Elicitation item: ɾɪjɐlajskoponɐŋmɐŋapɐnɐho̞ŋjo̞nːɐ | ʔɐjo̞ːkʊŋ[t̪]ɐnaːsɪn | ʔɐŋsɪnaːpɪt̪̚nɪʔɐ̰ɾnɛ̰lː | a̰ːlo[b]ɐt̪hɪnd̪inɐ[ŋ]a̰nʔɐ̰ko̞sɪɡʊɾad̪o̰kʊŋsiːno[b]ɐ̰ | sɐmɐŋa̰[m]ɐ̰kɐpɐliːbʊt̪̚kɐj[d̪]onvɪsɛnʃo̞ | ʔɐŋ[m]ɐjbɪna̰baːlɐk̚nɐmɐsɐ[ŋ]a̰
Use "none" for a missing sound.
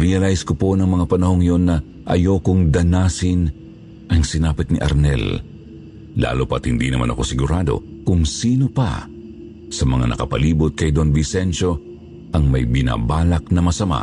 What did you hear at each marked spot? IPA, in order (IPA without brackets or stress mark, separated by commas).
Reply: d̪, p, m, p, n, d̪, m, m